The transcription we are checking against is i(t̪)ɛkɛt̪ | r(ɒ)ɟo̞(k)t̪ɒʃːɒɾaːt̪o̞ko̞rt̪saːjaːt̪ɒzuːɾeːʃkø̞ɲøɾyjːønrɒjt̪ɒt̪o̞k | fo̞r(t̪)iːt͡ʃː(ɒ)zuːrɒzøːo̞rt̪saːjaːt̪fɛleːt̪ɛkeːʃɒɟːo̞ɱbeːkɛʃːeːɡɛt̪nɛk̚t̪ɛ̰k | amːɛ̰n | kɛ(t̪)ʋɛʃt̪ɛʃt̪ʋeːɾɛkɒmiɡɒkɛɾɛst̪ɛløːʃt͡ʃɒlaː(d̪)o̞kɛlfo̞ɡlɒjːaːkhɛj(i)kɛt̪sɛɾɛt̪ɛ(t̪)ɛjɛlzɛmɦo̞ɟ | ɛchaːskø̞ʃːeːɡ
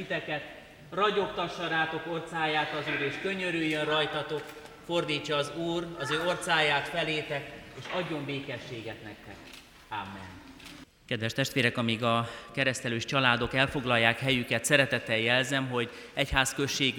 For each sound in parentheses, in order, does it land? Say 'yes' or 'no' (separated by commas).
yes, yes, yes, no, no, no, yes, no, yes